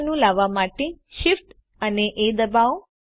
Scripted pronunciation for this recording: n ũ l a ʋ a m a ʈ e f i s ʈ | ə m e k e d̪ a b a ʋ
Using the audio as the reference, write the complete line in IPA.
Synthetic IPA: n ũ l a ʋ a m a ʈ e ʃ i f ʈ | ə n e ʔ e d̪ ə b a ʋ